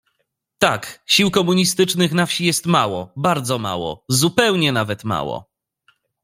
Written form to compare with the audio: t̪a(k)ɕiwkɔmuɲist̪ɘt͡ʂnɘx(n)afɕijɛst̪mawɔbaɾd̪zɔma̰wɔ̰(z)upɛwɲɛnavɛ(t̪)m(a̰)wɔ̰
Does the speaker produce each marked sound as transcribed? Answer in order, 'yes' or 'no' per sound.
yes, yes, yes, yes, yes

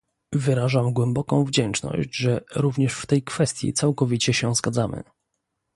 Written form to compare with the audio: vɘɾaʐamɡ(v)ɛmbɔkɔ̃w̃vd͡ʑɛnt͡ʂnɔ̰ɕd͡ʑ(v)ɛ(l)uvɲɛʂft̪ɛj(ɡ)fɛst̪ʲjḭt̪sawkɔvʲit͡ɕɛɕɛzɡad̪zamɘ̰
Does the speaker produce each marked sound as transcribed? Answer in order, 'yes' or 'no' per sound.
no, no, no, no

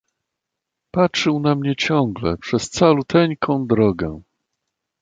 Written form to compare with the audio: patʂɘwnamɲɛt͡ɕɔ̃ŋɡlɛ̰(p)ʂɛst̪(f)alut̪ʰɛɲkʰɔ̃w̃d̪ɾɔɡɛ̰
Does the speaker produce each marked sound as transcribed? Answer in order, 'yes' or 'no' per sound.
yes, no

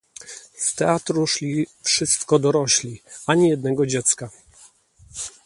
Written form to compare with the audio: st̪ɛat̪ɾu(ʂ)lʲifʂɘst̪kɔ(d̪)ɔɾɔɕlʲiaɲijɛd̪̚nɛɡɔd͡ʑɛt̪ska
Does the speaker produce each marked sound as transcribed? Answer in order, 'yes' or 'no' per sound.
yes, yes

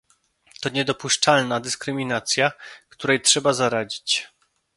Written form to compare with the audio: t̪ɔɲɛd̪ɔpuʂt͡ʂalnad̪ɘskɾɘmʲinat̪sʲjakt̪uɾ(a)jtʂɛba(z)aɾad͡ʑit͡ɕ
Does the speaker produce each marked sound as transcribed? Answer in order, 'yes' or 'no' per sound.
no, yes

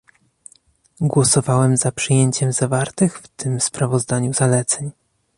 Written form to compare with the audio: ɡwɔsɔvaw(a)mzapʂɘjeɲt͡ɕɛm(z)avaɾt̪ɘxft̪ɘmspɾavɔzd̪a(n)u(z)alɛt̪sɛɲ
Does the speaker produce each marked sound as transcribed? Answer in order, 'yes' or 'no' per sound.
no, yes, no, yes

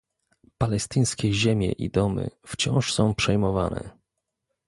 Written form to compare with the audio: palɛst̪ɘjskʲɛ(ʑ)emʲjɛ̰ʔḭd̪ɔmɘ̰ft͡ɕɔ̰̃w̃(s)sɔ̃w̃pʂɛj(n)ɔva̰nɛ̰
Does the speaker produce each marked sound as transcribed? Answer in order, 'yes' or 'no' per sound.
yes, no, no

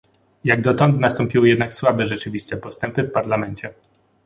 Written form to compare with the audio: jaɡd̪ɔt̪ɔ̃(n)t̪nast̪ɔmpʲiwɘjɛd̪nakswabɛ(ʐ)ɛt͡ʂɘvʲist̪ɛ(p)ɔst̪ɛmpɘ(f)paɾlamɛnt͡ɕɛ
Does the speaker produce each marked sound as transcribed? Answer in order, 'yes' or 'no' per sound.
yes, yes, yes, yes

